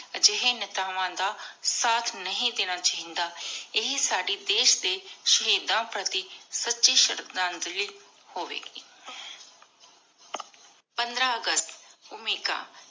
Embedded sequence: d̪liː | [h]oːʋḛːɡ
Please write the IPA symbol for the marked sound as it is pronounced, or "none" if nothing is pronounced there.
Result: h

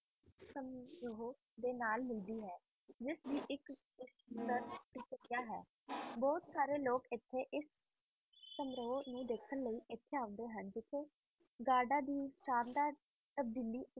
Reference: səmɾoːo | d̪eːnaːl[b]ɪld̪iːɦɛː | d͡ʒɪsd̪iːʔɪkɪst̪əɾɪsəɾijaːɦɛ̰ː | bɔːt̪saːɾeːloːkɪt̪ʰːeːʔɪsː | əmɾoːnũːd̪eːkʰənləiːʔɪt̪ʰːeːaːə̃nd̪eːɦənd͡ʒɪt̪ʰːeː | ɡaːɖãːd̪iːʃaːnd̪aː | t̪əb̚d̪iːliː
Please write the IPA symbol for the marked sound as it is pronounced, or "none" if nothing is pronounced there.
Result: m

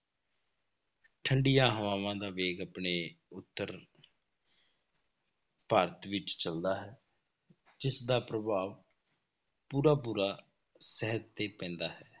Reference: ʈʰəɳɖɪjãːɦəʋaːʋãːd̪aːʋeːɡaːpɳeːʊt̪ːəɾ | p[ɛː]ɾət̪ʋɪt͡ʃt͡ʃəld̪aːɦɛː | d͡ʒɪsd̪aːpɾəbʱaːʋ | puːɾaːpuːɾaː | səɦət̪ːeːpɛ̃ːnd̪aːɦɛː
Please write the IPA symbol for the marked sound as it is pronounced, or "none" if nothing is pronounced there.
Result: aː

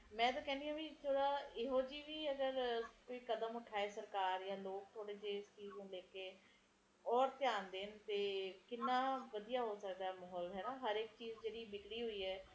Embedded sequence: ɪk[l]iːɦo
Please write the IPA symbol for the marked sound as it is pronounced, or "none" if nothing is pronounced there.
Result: ɽ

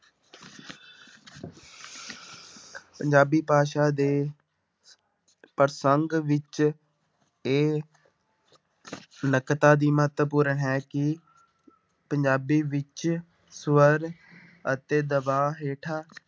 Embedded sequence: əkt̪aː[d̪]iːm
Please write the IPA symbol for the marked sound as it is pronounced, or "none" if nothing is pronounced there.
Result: d̪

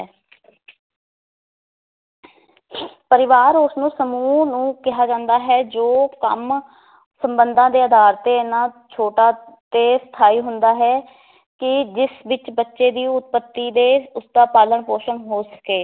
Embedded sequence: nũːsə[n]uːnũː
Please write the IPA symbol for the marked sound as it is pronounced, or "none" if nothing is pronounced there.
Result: m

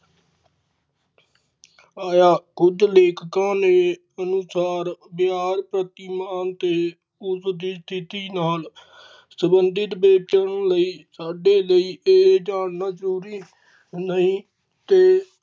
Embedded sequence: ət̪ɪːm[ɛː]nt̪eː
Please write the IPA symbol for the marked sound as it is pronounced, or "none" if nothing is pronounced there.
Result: aː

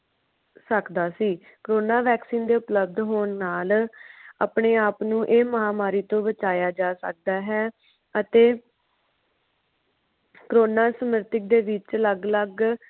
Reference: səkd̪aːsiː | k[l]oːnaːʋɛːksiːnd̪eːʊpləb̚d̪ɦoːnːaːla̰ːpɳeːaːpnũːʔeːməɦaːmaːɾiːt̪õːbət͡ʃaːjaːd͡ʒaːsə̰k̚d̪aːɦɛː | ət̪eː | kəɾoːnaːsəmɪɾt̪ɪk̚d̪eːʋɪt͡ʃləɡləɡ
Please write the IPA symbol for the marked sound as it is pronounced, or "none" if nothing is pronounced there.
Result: ɾ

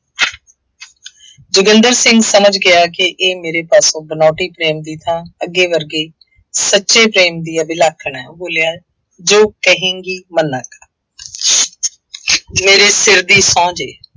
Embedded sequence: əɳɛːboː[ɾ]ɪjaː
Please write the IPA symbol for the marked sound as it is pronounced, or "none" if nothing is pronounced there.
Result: l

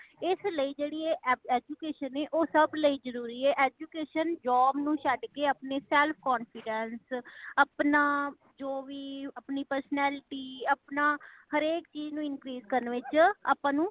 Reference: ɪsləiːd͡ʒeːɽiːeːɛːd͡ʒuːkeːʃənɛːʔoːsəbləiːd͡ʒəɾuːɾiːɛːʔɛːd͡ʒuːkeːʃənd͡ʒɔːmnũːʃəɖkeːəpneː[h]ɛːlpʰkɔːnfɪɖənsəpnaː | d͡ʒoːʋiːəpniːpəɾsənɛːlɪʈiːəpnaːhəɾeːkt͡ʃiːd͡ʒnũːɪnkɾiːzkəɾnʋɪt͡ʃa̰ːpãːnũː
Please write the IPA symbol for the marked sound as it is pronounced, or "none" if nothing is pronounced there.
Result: s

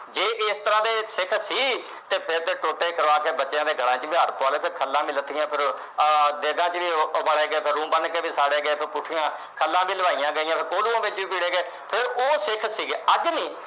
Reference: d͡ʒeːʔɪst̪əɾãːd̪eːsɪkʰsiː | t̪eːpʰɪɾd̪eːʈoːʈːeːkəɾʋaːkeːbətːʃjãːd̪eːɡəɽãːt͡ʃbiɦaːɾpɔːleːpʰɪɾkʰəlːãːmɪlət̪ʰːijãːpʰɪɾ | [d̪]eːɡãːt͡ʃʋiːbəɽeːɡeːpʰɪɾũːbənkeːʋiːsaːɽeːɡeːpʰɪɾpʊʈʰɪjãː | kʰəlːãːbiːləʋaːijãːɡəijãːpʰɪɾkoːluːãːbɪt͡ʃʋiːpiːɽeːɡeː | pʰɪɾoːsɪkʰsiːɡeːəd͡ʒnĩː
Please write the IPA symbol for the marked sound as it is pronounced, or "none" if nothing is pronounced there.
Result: d̪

